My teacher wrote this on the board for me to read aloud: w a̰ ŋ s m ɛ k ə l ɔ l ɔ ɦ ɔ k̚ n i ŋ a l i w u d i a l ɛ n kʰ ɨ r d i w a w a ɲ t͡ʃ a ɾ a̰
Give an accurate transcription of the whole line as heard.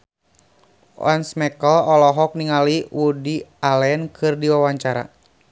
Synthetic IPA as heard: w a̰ n s m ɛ k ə l ɔ l ɔ ɦ ɔ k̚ n i ŋ a l i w u d i a l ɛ n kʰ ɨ r d i w a w a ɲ t͡ʃ a ɾ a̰

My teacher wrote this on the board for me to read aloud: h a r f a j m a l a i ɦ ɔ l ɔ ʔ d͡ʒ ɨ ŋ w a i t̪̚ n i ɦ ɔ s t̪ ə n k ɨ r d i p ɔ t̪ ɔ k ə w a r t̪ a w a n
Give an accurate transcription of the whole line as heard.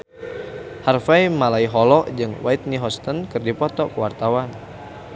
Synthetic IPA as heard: h a r f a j m a l a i ɦ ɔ l ɔ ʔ d͡ʒ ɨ ŋ w a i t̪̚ n i ɦ ɔ s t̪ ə n k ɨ r d i p ɔ t̪ ɔ k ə w a r t̪ a w a n

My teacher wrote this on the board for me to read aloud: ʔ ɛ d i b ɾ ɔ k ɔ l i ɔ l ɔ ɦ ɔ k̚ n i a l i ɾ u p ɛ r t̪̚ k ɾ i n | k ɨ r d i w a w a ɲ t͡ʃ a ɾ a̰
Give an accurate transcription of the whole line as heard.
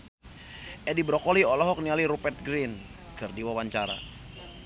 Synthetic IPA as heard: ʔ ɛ d i b ɾ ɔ k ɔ l i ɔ l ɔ ɦ ɔ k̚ n i a l i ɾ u p ɛ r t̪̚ ɡ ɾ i n | k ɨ r d i w a w a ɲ t͡ʃ a ɾ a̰

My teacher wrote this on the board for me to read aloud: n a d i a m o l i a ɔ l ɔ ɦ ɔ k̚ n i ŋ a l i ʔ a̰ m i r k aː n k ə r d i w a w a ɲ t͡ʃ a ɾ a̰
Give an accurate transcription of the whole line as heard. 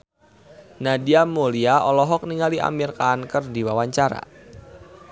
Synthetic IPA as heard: n a d i a m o l i a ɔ l ɔ ɦ ɔ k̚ n i ŋ a l i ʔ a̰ m i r k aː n k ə r d i w a w a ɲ t͡ʃ a ɾ a̰

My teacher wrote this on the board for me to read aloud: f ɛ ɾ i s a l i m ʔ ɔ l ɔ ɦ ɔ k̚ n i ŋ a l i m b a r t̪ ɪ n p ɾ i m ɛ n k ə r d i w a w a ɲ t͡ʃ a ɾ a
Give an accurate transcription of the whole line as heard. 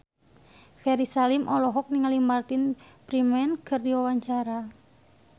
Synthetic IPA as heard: f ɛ ɾ i s a l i m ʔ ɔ l ɔ ɦ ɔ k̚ n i ŋ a l i m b a r t̪ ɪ n p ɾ i m ɛ n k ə r d i w a w a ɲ t͡ʃ a ɾ a

